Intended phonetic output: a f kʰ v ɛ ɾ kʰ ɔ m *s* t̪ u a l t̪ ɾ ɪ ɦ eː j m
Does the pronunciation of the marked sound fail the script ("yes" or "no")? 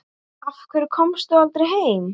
no